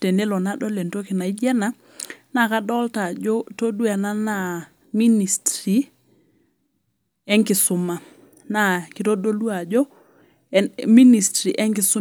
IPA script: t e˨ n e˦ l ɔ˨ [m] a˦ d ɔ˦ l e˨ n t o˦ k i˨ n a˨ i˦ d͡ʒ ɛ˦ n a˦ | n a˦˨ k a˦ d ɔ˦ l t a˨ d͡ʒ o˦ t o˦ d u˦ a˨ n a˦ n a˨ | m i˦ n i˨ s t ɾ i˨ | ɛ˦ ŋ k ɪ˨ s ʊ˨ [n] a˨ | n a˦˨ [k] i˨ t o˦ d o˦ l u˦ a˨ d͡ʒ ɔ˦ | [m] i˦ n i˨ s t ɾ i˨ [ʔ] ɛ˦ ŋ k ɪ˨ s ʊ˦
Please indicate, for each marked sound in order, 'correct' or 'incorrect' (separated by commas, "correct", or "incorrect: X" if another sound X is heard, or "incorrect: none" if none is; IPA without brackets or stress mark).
incorrect: n, incorrect: m, correct, correct, correct